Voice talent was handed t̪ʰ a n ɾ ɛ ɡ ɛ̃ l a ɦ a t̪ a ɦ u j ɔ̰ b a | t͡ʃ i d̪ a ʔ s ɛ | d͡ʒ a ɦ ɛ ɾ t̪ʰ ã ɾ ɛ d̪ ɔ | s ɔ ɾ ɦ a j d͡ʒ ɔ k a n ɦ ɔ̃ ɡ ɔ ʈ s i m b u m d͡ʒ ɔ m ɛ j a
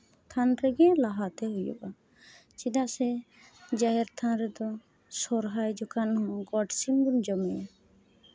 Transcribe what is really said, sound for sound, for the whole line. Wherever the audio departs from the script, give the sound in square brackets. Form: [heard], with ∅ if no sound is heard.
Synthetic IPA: t̪ʰ a n ɾ ɛ ɡ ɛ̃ l a ɦ a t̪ [ɛ] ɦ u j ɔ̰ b a | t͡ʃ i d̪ a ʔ s ɛ | d͡ʒ a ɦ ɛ ɾ t̪ʰ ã ɾ ɛ d̪ ɔ | s ɔ ɾ ɦ a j d͡ʒ ɔ k a n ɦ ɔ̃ ɡ ɔ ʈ s i m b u [n] d͡ʒ ɔ m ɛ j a